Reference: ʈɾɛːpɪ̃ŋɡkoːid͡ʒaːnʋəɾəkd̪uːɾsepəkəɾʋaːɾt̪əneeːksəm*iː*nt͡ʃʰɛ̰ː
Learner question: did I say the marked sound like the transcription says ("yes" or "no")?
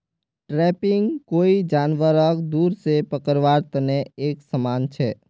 no